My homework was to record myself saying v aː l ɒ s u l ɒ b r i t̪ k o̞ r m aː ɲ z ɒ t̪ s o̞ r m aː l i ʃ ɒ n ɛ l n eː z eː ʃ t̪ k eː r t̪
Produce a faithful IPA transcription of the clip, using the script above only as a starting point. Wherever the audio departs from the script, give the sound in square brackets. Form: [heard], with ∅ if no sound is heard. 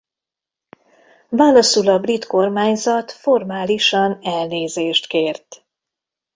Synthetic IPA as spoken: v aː l ɒ s u l ɒ b r i t̪ k o̞ r m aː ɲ z ɒ t̪ [f] o̞ r m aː l i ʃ ɒ n ɛ l n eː z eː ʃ t̪ k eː r t̪